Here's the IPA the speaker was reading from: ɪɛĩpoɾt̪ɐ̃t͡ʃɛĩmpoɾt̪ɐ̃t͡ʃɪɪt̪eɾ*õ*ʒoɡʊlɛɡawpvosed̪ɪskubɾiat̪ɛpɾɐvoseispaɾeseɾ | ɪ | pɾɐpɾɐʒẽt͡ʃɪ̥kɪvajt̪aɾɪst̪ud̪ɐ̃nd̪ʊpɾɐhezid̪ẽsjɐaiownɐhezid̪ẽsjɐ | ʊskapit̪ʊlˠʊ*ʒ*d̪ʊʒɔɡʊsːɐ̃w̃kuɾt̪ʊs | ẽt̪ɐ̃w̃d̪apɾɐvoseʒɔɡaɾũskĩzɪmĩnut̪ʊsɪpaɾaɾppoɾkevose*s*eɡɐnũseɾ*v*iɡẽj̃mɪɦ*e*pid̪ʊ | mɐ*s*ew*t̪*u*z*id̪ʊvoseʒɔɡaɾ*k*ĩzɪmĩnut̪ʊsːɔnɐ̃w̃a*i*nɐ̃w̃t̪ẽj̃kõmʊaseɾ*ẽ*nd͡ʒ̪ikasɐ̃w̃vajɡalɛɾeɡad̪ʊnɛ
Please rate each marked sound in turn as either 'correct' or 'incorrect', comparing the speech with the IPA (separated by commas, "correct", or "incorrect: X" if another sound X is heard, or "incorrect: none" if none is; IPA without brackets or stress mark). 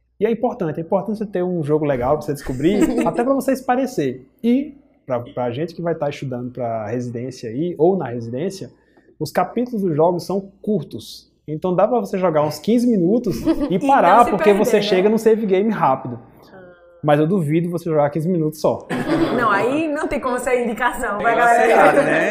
incorrect: ũ, incorrect: z, incorrect: ʃ, correct, incorrect: a, incorrect: z, incorrect: d̪, incorrect: v, correct, correct, incorrect: ĩ